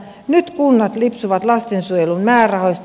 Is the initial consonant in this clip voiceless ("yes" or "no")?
no